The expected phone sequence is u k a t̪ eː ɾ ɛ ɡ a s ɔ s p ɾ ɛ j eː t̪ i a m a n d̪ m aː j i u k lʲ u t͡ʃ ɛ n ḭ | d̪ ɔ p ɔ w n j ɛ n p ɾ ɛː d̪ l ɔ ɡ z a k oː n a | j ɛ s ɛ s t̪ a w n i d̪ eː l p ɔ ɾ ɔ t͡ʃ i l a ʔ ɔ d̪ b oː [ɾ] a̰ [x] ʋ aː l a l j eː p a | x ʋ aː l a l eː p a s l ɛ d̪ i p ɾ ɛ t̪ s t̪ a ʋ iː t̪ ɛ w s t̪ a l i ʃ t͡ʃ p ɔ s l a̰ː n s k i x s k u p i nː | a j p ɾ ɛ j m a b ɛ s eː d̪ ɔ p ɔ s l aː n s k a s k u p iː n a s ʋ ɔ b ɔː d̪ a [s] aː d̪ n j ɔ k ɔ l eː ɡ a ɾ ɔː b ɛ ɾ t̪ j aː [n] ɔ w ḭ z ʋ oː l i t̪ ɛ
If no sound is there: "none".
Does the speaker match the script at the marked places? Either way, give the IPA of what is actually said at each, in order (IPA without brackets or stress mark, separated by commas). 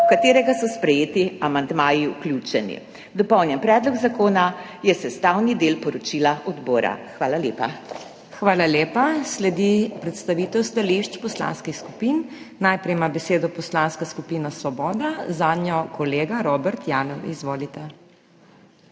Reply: ɾ, x, z, n